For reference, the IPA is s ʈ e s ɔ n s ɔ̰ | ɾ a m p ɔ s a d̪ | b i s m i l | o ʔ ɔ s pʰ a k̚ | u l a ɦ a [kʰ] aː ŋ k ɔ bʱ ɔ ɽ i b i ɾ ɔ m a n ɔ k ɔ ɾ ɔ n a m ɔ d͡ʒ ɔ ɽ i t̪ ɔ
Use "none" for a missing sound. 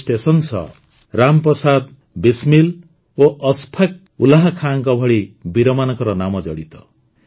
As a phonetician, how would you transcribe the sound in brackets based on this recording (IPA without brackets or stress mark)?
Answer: kʰ